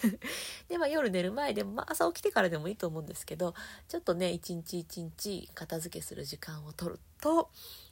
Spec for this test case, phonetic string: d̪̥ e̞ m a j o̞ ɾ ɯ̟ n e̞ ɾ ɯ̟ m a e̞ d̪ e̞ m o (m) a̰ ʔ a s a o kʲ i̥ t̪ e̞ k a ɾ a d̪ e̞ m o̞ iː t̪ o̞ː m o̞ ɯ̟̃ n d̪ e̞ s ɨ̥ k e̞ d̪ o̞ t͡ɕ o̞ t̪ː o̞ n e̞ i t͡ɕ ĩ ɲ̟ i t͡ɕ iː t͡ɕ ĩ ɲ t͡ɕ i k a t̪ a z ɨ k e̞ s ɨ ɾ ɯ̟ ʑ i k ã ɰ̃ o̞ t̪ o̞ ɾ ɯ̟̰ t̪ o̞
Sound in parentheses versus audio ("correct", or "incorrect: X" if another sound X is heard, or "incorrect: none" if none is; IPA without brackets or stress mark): correct